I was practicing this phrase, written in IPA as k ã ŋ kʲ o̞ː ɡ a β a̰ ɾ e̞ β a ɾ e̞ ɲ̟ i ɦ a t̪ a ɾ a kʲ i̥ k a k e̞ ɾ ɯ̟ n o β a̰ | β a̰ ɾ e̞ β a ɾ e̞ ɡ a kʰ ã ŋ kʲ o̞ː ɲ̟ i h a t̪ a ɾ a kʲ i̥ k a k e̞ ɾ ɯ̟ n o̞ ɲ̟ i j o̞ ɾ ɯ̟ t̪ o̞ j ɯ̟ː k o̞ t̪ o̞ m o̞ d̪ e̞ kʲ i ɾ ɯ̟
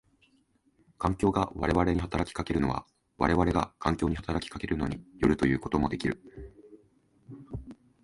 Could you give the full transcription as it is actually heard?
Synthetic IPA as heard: k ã ŋ kʲ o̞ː ɡ a β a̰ ɾ e̞ β a ɾ e̞ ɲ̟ i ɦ a t̪ a ɾ a kʲ i̥ k a k e̞ ɾ ɯ̟ n o β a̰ | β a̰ ɾ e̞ β a ɾ e̞ ɡ a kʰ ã ŋ kʲ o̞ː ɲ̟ i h a t̪ a ɾ a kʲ i̥ k a k e̞ ɾ ɯ̟ n o̞ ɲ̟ i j o̞ ɾ ɯ̟ t̪ o̞ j ɯ̟ː k o̞ t̪ o̞ m o̞ d̪ e̞ kʲ i ɾ ɯ̟